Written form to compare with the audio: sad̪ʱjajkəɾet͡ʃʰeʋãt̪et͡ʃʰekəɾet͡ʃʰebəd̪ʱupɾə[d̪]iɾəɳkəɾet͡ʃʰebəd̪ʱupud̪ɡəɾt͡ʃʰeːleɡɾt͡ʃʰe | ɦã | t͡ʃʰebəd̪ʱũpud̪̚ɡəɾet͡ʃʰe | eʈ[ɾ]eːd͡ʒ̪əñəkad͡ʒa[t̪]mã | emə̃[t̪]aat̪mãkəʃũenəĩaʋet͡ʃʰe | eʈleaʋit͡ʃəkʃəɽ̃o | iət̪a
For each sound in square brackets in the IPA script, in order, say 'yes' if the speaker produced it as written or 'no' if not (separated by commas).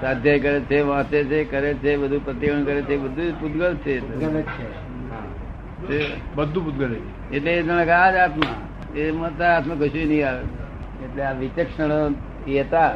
no, no, yes, yes